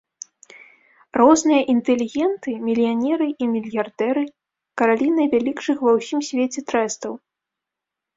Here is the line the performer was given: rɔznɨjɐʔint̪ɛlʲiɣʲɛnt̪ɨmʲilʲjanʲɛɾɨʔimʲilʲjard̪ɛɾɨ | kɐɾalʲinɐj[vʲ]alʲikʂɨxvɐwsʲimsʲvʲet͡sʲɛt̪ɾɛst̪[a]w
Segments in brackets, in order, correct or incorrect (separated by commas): correct, incorrect